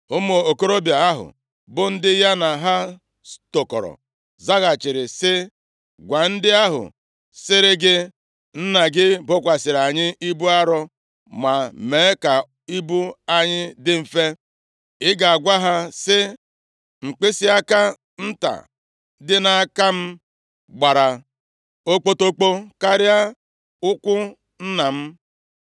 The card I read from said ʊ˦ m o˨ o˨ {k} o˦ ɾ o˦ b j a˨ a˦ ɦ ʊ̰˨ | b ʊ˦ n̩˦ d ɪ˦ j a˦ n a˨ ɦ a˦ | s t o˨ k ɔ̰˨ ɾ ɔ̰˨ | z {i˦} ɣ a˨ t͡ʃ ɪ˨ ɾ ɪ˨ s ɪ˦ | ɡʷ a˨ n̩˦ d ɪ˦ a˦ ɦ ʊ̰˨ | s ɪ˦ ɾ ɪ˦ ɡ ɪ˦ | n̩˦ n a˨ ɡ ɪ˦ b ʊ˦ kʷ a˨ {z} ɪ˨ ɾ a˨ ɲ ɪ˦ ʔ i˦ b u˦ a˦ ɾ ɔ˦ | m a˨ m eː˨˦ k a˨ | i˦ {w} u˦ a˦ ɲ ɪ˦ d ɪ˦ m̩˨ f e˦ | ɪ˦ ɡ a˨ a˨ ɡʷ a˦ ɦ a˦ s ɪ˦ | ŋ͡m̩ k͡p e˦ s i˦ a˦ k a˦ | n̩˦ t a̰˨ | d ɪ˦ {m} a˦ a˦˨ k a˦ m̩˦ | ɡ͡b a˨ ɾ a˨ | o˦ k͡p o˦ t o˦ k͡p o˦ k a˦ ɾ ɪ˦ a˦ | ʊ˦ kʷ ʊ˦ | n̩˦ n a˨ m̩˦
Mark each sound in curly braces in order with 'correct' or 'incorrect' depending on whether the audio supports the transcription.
correct, incorrect: a˦, incorrect: s, incorrect: b, incorrect: n

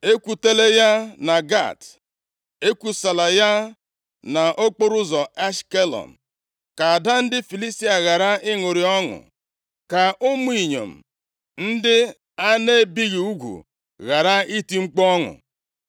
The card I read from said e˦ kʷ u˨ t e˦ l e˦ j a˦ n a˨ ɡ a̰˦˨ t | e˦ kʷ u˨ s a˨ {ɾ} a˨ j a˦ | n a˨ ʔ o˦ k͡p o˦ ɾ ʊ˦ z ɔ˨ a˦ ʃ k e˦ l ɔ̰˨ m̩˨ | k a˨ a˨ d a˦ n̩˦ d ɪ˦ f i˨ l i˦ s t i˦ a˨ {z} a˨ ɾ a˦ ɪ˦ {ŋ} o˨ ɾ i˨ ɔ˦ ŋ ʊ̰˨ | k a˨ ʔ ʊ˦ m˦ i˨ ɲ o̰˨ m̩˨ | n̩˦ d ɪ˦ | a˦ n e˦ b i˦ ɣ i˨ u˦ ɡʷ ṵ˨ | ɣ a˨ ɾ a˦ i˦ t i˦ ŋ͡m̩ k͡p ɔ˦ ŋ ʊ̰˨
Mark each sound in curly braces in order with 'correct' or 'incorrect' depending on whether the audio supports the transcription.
incorrect: l, incorrect: ɣ, correct

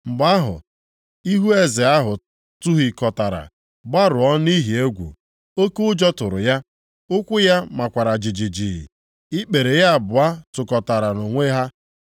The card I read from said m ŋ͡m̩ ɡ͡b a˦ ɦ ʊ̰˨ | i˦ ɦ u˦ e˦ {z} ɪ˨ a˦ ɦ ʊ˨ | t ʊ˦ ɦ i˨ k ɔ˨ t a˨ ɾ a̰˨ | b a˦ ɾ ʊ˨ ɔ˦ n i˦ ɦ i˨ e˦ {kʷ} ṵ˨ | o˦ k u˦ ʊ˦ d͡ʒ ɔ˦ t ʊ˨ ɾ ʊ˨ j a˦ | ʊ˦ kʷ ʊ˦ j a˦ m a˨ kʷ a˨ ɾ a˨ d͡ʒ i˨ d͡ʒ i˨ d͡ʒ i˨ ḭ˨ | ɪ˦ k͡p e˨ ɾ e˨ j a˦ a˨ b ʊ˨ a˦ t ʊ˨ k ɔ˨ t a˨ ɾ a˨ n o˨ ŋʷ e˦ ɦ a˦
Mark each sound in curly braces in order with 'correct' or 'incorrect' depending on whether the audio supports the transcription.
correct, incorrect: ɡʷ

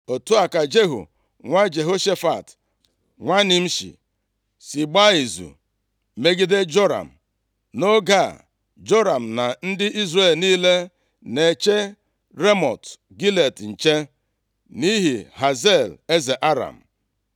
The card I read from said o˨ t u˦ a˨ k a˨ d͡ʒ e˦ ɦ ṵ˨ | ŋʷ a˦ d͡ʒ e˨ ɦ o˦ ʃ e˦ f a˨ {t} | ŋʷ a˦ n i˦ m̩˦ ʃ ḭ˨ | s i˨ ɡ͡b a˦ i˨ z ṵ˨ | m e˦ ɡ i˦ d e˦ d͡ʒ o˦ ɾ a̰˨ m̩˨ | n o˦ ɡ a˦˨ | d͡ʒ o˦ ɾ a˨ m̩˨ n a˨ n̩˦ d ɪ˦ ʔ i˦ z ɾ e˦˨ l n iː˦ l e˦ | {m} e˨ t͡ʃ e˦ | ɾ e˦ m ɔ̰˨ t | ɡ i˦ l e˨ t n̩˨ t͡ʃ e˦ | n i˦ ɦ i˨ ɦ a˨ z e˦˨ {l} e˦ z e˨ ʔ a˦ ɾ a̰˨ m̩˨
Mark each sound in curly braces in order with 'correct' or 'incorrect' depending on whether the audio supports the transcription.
correct, incorrect: n, correct

